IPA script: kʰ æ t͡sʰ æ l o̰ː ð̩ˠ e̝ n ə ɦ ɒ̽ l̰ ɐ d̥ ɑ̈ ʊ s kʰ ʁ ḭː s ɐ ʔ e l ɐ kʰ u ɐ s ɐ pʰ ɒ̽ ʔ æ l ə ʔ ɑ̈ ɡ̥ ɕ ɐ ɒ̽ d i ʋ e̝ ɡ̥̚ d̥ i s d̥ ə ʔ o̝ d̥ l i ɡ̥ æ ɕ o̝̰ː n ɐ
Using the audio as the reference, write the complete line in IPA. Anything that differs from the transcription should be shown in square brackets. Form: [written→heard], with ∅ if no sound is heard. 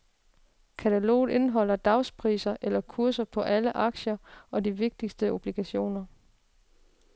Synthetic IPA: kʰ æ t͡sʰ æ l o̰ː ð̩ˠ e̝ n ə ɦ ɒ̽ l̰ ɐ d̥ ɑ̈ ʊ s [kʰ→pʰ] ʁ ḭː s ɐ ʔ e l ɐ kʰ u ɐ s ɐ pʰ ɒ̽ ʔ æ l ə ʔ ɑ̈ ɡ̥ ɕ ɐ ɒ̽ d i ʋ e̝ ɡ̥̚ d̥ i s d̥ ə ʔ o̝ [d̥→b̥] l i ɡ̥ æ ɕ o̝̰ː n ɐ